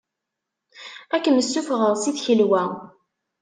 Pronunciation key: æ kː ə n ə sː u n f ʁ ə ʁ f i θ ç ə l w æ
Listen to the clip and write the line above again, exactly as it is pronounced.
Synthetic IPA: æ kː ə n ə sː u f ʁ ə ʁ s i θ ç ə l w æ